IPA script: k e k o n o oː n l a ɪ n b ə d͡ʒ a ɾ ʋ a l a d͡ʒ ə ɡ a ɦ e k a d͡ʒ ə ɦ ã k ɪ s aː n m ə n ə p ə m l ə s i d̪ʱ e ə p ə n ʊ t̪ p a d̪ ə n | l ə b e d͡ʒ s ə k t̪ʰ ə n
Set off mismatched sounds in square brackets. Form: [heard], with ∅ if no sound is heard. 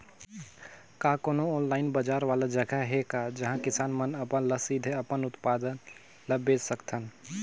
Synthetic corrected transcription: k [a] k o n o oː n l a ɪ n b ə d͡ʒ a ɾ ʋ a l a d͡ʒ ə ɡ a ɦ e k a d͡ʒ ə ɦ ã k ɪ s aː n m ə n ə p ə [n] l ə s i d̪ʱ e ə p ə n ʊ t̪ p a d̪ ə n | l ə b e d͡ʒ s ə k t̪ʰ ə n